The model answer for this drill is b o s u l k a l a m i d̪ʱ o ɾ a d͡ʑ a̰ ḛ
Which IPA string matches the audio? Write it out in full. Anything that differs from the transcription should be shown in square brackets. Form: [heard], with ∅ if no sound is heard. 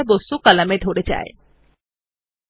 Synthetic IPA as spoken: b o s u [∅] k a l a m [e] d̪ʱ o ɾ [e] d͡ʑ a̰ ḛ